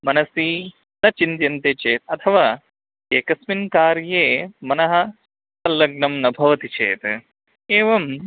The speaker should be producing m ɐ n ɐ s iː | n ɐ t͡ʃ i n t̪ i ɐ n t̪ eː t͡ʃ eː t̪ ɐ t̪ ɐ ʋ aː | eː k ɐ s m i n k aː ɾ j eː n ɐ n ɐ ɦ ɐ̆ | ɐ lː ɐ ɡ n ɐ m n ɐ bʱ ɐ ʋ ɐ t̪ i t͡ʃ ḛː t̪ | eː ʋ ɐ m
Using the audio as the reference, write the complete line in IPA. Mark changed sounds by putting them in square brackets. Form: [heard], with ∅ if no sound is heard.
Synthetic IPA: m ɐ n ɐ s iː | n ɐ t͡ʃ i n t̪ [j] ɐ n t̪ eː t͡ʃ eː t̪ ɐ [t̪ʰ] ɐ ʋ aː | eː k ɐ s m i n k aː ɾ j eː [m] ɐ n ɐ ɦ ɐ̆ | ɐ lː ɐ ɡ n ɐ m n ɐ bʱ ɐ ʋ ɐ t̪ i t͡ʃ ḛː t̪ | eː ʋ ɐ m